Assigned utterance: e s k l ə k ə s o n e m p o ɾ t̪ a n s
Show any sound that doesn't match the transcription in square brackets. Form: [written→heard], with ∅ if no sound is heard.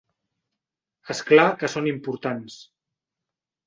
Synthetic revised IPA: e s k l [ə→a] k ə s o n [e→i] m p [o→u] ɾ t̪ a n s